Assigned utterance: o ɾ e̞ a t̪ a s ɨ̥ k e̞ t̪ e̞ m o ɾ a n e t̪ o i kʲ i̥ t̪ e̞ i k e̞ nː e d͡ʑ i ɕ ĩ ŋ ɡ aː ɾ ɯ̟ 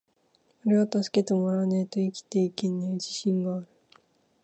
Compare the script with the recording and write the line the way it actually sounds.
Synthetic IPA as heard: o ɾ e̞ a t̪ a s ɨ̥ k e̞ t̪ e̞ m o ɾ a n e t̪ o i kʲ i̥ t̪ e̞ i k e̞ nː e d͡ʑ i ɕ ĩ ŋ ɡ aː ɾ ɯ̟